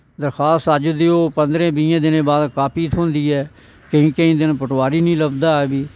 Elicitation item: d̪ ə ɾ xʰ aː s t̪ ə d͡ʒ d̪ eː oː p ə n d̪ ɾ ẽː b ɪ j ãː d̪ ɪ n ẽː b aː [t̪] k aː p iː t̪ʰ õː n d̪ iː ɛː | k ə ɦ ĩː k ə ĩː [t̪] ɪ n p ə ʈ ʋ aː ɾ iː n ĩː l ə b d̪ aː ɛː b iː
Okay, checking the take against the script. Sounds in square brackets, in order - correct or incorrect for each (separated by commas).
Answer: incorrect, incorrect